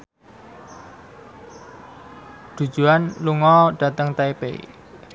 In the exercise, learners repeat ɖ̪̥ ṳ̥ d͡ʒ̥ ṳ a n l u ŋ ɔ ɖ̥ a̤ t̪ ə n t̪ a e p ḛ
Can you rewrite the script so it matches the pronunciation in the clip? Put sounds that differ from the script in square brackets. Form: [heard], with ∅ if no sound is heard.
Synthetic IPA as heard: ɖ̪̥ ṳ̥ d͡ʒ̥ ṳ a n l u ŋ ɔ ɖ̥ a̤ t̪ ə [ŋ] t̪ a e p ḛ